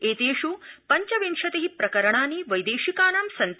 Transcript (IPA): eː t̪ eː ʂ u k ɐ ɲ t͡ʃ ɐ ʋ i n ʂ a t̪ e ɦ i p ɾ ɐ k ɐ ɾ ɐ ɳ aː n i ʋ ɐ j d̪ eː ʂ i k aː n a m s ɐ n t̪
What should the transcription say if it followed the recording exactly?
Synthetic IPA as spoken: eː t̪ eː ʂ u p ɐ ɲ t͡ʃ ɐ ʋ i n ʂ ɐ t̪ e ɦ i p ɾ ɐ k ɐ ɾ ɐ ɳ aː n i ʋ ɐ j d̪ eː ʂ i k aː n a m s ɐ n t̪